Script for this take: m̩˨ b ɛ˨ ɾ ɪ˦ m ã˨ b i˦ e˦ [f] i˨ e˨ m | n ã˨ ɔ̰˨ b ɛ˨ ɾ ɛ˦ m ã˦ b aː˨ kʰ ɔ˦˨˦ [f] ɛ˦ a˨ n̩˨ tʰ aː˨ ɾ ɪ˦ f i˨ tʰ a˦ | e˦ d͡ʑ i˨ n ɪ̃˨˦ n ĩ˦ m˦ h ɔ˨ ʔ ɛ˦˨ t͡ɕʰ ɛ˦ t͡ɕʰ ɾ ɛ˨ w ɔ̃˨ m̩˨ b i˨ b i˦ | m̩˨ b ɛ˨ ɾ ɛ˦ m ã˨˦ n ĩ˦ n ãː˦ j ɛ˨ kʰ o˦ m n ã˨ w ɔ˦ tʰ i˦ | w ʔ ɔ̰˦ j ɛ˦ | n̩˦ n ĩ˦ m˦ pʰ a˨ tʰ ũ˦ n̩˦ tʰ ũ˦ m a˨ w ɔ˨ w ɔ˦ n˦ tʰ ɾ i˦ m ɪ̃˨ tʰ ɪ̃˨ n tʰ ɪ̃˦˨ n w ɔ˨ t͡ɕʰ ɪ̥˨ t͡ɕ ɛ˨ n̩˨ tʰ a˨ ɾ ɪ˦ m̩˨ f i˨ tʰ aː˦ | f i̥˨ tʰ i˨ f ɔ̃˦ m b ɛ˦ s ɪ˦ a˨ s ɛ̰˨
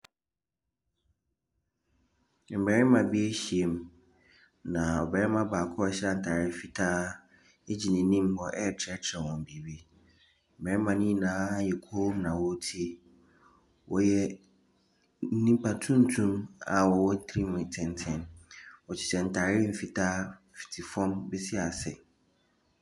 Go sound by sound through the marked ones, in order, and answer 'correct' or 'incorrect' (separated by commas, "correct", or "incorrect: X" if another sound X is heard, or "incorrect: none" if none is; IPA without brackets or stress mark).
incorrect: ɕ, incorrect: ɕ